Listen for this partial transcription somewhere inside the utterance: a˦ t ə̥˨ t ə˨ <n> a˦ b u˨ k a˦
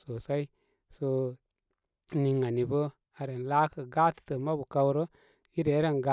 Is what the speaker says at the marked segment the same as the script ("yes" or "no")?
no